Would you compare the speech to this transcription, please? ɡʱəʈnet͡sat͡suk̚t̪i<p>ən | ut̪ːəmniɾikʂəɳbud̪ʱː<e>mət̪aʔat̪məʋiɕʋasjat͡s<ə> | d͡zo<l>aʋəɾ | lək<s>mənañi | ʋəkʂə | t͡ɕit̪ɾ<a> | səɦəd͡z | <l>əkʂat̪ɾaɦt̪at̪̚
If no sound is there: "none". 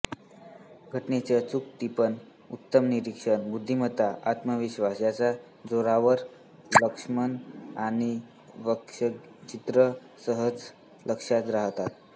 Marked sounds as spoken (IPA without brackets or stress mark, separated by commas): p, i, a, ɾ, ʂ, ə, l